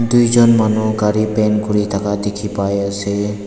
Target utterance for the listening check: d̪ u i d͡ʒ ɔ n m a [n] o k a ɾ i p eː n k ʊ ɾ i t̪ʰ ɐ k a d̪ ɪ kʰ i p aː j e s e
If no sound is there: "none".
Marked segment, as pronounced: n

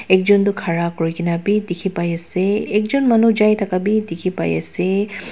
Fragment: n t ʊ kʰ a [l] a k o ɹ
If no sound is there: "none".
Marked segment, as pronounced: ɹ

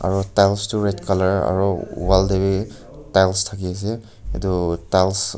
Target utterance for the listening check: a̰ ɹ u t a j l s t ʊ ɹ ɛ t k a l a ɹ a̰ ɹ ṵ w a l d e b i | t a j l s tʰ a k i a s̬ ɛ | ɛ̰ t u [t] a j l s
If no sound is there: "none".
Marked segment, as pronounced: t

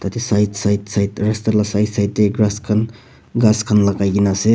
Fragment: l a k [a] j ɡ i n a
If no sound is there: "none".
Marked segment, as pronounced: a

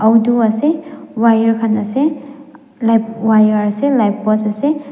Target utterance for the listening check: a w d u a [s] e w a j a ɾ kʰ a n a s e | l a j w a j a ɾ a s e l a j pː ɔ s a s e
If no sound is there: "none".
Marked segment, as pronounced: s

